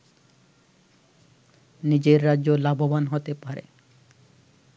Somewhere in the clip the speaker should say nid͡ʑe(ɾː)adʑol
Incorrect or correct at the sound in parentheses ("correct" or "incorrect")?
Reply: correct